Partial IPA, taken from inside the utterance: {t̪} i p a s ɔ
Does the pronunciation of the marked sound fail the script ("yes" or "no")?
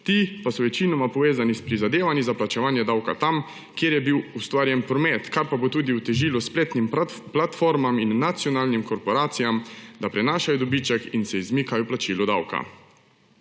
no